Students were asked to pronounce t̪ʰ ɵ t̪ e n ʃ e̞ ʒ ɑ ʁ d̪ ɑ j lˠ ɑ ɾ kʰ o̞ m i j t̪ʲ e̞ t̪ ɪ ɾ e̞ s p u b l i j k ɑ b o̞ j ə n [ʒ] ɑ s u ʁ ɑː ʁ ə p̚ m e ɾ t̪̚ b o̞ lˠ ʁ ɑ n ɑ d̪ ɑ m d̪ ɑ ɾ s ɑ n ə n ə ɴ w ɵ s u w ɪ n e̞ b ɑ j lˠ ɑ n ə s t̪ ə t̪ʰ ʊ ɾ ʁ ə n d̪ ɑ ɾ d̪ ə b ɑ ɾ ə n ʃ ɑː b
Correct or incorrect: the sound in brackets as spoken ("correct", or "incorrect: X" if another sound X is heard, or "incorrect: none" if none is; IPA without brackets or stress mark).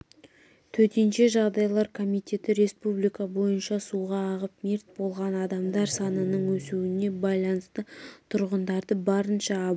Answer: incorrect: ʃ